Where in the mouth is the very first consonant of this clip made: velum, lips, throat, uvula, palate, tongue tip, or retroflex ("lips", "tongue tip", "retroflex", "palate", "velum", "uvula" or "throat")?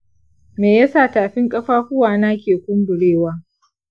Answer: lips